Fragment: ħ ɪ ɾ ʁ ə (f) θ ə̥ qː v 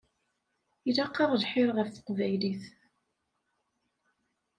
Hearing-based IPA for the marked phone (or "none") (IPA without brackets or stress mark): f